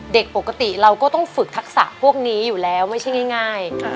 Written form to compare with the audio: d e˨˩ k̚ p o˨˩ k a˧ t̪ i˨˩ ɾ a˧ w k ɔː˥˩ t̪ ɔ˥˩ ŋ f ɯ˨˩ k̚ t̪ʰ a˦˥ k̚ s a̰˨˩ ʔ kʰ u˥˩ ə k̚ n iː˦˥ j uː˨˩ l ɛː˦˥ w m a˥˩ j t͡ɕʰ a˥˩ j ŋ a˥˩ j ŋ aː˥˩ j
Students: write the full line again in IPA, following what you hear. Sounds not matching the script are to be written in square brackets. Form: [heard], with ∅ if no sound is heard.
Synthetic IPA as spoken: d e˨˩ k̚ p o˨˩ k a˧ t̪ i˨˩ ɾ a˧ w k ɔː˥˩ t̪ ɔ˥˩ ŋ f ɯ˨˩ k̚ t̪ʰ a˦˥ k̚ s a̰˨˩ ʔ [pʰ] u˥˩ ə k̚ n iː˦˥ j uː˨˩ l ɛː˦˥ w m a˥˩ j t͡ɕʰ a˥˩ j ŋ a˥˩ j ŋ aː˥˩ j